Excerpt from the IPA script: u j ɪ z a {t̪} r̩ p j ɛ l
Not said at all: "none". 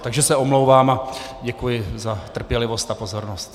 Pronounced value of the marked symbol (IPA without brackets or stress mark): t̪